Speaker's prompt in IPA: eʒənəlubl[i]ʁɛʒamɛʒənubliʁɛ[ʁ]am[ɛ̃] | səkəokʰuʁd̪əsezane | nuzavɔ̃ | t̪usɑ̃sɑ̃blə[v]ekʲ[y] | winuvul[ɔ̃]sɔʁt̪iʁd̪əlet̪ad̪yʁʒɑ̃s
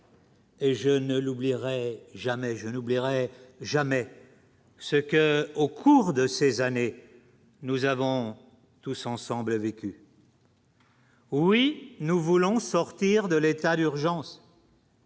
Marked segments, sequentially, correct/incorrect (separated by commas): correct, incorrect, incorrect, correct, correct, correct